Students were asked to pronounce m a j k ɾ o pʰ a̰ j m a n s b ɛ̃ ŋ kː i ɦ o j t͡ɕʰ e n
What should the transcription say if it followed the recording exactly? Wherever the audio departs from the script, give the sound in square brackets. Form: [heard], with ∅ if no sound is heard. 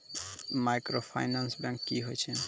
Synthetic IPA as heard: m a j k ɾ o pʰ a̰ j [n] a n s b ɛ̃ ŋ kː i ɦ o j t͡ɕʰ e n